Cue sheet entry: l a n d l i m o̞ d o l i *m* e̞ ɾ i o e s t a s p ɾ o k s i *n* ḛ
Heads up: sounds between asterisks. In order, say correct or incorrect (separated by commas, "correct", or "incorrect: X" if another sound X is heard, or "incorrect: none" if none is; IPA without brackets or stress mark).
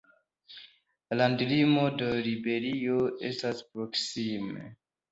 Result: incorrect: b, incorrect: m